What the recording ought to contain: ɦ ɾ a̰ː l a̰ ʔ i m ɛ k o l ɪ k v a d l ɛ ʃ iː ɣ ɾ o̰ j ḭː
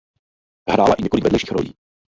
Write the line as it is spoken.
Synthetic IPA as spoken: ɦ ɾ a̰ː l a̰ ʔ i ɲ ɛ k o l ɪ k v ɛ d l ɛ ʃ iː x ɾ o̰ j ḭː